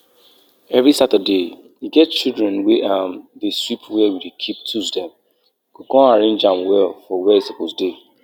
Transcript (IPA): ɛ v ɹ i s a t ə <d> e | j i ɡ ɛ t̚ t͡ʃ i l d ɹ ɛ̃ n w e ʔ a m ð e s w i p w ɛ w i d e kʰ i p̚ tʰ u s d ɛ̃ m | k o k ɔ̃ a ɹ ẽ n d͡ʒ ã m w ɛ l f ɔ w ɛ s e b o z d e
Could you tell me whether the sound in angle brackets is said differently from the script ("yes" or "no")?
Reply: no